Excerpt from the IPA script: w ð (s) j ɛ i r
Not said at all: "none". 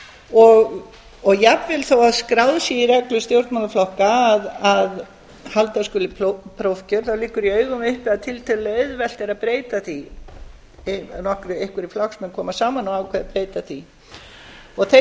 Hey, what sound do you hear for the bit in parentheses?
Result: s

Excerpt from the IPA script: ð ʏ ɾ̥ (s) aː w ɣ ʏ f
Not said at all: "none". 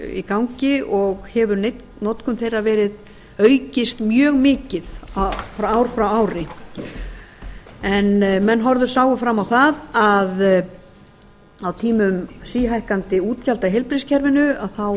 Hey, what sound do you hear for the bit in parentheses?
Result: s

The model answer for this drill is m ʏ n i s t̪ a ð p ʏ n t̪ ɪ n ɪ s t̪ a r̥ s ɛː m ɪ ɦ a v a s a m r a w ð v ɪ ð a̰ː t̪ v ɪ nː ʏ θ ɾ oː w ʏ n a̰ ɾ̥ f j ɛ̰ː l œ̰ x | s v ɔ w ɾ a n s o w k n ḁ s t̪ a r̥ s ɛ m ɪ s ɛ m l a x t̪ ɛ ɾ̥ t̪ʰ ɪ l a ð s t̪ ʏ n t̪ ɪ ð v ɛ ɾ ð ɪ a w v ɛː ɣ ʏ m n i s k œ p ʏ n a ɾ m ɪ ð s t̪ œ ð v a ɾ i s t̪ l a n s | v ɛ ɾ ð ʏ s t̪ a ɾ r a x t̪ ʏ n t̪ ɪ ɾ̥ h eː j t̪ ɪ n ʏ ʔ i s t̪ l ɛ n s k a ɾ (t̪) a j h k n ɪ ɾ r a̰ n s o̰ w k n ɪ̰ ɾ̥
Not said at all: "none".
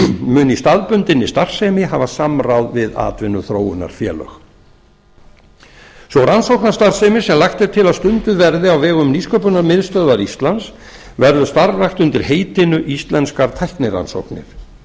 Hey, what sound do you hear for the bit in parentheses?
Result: t̪ʰ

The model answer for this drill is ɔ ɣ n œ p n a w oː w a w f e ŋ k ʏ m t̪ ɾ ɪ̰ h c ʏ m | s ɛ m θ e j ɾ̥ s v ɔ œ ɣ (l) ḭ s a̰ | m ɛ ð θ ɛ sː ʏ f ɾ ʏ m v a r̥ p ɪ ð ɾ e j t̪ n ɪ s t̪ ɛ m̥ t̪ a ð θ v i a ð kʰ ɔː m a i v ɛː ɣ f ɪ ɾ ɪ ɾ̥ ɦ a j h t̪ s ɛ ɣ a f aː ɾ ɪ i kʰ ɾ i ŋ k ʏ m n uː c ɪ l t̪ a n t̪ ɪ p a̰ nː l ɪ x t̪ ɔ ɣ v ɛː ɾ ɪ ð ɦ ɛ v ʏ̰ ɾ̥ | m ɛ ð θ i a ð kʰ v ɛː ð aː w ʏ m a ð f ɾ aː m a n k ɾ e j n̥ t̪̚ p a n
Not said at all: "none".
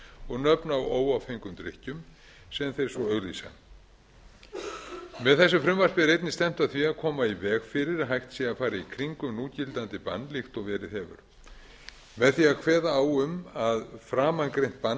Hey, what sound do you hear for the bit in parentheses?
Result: l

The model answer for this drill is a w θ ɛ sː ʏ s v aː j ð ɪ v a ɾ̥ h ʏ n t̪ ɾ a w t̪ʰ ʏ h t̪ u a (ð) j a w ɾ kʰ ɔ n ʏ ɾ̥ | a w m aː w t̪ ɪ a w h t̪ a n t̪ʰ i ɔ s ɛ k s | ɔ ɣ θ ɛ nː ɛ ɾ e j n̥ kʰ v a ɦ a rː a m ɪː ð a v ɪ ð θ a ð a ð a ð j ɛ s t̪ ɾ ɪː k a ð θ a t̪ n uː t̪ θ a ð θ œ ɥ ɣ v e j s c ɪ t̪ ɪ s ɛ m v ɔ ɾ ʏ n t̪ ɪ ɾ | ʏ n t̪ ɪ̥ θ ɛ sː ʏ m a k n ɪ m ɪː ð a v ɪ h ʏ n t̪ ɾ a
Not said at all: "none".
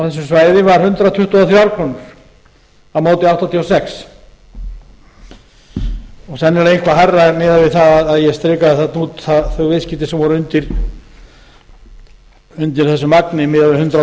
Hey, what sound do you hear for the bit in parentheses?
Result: θ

